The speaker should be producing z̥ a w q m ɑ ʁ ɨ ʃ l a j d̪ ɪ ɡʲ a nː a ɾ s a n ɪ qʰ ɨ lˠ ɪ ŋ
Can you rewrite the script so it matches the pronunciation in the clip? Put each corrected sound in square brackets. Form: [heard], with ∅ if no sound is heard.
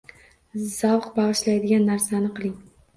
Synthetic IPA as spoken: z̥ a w q [b] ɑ ʁ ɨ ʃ l a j d̪ ɪ ɡʲ a nː a ɾ s a n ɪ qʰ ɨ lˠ ɪ ŋ